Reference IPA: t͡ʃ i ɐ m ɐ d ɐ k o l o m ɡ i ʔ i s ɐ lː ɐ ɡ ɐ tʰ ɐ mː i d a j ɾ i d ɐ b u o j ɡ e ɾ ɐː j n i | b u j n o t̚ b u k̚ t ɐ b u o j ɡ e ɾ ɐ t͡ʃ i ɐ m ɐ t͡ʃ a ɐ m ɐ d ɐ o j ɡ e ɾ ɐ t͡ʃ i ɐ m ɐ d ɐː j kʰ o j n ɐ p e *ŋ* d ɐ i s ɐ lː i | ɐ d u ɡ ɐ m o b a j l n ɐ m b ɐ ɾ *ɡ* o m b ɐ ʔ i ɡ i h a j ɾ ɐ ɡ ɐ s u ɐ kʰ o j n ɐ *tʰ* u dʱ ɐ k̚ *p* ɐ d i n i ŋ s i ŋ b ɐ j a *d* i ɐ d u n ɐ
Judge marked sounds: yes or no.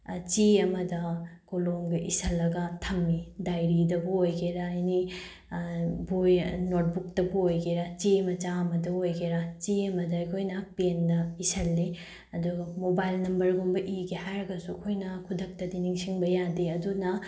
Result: no, yes, no, no, yes

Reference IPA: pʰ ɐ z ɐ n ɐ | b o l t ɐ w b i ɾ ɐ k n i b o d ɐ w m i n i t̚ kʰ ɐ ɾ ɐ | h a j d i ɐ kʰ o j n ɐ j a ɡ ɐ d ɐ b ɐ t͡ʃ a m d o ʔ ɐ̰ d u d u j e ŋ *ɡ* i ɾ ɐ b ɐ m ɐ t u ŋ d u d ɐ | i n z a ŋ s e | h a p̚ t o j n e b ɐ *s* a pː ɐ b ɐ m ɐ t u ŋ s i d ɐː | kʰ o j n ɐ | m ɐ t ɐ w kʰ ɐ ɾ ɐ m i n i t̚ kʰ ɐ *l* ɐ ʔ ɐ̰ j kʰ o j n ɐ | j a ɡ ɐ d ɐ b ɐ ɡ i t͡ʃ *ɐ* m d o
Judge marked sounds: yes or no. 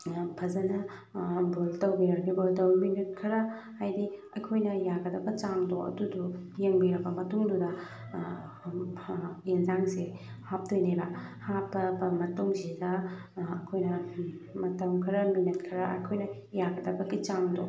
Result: no, no, no, no

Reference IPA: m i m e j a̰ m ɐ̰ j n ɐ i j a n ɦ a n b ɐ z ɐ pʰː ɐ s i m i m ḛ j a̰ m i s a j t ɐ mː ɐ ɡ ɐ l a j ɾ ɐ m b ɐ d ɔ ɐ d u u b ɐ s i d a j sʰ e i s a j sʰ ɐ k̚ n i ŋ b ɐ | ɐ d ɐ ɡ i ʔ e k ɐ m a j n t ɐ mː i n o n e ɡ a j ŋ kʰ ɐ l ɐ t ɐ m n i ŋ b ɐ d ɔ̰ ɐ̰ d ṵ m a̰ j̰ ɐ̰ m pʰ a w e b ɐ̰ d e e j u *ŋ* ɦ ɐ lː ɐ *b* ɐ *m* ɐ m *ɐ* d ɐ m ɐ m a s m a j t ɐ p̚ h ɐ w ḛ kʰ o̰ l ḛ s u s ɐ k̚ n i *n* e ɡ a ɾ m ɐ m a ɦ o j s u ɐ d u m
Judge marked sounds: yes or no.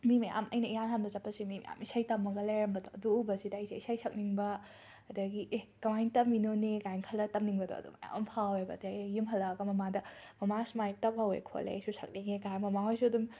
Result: no, no, yes, no, no

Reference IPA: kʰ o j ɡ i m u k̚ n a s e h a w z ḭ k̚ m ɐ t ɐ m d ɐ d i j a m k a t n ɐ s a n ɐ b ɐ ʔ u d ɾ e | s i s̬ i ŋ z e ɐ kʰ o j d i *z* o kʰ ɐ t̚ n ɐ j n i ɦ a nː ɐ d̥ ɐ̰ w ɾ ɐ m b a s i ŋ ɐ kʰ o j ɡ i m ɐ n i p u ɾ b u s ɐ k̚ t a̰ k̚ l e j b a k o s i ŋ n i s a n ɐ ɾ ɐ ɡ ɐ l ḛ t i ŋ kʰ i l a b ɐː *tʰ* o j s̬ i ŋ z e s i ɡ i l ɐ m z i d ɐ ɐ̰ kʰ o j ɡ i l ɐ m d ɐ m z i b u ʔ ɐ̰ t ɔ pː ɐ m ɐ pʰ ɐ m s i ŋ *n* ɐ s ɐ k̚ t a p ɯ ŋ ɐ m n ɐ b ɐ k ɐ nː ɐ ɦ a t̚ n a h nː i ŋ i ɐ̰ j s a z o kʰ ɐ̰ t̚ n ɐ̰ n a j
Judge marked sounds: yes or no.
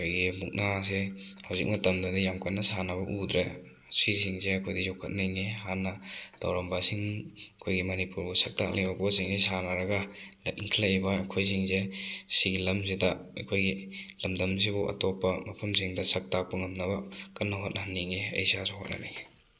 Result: yes, no, no

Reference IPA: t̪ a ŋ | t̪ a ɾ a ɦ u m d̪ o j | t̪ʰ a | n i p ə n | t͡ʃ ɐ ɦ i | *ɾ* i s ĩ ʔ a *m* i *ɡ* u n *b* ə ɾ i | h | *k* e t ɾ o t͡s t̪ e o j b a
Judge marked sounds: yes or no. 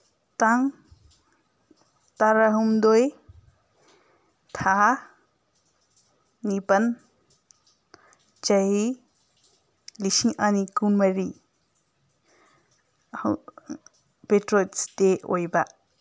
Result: no, no, no, no, no

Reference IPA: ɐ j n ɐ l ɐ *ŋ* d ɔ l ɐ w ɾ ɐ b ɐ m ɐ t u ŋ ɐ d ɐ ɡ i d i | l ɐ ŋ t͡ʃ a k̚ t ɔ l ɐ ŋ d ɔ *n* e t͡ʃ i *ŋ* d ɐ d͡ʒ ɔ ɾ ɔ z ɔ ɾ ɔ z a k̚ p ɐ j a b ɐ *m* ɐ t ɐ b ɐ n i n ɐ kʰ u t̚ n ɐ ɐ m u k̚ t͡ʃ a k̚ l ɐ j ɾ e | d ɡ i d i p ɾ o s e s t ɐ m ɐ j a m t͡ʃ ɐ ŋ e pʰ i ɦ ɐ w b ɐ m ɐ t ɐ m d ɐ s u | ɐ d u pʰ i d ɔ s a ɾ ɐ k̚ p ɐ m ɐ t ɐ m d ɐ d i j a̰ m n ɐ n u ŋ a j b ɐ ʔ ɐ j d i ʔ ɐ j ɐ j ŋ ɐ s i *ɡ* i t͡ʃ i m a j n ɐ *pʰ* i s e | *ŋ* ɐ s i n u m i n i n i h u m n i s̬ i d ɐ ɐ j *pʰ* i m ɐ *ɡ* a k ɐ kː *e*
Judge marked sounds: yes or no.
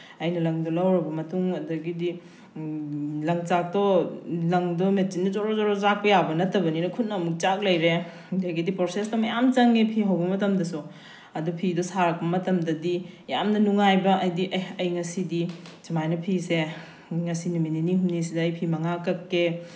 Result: yes, no, no, no, no, yes, yes, yes, no, yes

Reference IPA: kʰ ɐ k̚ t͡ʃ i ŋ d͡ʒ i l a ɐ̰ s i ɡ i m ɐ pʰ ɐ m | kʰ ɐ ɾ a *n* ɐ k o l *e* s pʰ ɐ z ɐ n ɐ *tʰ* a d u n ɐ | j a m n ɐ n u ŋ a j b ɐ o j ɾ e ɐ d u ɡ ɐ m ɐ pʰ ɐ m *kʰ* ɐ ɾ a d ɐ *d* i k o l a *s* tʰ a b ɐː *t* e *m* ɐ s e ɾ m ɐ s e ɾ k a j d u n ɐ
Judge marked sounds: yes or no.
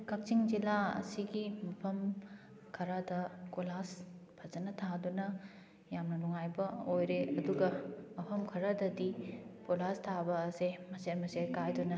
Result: no, no, yes, yes, yes, yes, no, yes

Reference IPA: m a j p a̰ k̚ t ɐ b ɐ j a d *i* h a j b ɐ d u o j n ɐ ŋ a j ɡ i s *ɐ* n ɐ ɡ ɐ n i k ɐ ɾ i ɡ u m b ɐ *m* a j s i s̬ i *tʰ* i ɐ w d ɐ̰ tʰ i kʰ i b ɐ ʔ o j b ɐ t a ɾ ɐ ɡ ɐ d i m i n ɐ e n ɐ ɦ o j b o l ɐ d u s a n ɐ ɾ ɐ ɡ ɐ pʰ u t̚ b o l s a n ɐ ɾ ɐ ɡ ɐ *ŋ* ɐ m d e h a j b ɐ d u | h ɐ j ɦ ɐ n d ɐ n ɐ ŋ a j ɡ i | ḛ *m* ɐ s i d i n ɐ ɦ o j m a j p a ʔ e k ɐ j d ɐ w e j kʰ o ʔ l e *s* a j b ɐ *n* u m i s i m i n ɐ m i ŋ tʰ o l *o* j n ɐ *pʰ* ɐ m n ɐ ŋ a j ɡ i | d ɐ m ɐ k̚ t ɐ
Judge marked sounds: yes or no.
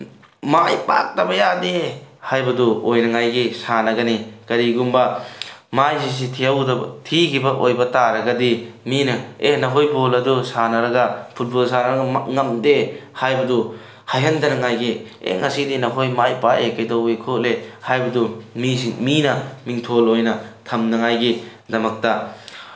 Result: no, no, yes, yes, yes, no, no, no, yes, no

